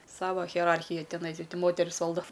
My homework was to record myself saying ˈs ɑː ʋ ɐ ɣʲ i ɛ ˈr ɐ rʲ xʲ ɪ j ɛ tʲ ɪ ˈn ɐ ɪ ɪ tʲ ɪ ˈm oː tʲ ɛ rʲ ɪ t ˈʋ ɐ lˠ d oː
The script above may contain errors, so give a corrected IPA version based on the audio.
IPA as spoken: ˈs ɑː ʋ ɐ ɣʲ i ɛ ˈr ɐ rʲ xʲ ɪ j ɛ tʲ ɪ ˈn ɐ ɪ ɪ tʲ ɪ ˈm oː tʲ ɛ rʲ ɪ s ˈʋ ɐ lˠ d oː